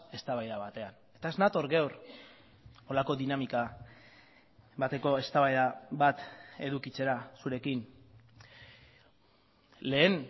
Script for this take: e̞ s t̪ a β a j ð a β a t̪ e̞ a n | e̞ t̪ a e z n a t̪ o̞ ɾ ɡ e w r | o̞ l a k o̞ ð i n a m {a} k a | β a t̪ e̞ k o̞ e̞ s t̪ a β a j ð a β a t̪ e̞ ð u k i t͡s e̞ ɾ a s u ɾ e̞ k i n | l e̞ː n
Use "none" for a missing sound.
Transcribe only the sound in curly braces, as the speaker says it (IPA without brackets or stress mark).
i